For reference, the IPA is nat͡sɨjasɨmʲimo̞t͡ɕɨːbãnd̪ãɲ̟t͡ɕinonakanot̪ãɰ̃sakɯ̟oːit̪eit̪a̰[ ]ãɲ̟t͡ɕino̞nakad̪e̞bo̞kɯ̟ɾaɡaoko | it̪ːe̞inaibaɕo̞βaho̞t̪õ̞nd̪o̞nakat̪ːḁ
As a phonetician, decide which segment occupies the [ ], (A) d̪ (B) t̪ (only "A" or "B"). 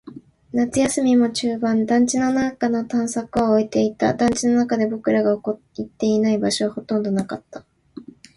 A